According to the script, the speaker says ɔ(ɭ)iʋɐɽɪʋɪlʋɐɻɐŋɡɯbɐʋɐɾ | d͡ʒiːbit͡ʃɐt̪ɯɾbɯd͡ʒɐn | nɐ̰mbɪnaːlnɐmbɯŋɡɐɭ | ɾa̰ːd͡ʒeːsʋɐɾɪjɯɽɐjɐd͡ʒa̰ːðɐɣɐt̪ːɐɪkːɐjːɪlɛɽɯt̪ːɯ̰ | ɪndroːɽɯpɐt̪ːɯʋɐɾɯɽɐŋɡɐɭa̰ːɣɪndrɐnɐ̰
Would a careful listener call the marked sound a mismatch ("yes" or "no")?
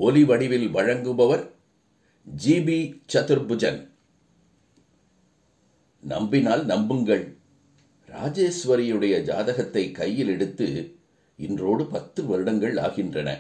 yes